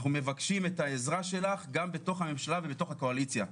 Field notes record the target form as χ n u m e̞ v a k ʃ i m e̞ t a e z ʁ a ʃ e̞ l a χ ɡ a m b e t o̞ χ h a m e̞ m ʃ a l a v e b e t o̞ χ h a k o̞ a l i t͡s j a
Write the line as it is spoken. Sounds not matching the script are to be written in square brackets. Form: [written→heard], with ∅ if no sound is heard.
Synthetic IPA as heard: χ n u m e̞ v a k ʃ i m e̞ t a e z ʁ a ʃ e̞ l a χ ɡ a m b e t o̞ χ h a m e̞ m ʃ a l a v e b e t o̞ χ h a k o̞ a l i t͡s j a

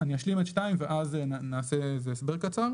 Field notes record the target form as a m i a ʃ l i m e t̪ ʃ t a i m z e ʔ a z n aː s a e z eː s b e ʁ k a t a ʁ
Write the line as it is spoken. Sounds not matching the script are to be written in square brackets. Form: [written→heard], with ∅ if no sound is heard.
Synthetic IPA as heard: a [m→n] i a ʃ l i m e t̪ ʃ t a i m [z→v] e ʔ a z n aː s [a→e] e z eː s b e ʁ k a [t→t͡s] a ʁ

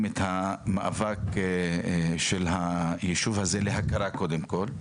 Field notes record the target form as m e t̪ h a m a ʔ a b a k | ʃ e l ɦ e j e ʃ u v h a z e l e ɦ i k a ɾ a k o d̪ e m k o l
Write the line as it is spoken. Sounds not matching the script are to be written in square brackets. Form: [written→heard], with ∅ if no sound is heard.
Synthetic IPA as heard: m e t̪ h a m a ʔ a [b→v] a k | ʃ e l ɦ [e→a] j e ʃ u v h a z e l e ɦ [i→a] k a ɾ a k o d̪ e m k o l

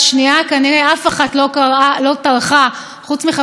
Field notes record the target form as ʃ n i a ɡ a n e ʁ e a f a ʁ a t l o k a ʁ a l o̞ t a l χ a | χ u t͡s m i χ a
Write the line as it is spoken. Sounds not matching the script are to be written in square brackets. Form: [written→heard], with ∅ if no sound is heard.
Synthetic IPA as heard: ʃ n i a [ɡ→k] a n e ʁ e a f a [ʁ→χ] a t l o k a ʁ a l o̞ t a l χ a | χ u t͡s m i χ a

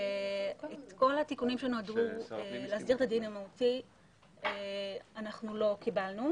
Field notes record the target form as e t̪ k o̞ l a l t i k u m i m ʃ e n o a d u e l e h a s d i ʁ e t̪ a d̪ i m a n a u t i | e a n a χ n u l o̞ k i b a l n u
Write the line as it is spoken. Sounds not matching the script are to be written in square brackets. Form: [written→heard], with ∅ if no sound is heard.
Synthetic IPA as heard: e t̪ k o̞ l a [l→∅] t i k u [m→n] i m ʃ e n o a d u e l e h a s d i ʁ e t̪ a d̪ i [m→n] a [n→m] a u t i | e a n a χ n u l o̞ k i b a l n u

